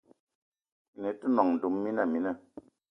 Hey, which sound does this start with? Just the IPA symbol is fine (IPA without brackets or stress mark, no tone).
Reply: n